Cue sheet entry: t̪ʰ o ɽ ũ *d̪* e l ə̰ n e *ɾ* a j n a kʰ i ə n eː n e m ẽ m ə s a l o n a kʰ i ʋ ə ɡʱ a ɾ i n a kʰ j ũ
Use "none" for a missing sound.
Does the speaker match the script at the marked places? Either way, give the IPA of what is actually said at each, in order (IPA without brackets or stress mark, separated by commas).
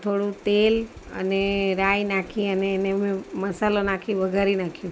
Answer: t̪, ɾ